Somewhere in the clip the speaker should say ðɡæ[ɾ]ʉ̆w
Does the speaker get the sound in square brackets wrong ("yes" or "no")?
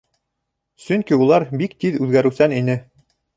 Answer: no